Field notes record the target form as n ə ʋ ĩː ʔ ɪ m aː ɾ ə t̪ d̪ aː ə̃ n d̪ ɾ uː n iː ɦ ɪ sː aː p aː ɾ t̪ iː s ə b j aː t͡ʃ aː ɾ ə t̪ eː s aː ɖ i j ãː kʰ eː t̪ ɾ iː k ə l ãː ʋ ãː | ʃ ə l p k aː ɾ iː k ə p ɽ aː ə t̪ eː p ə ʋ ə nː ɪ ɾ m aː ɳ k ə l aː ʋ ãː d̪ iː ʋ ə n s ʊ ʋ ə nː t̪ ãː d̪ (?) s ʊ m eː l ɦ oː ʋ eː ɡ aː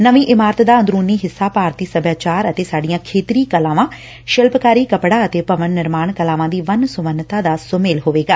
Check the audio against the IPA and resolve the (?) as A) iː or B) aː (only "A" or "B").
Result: B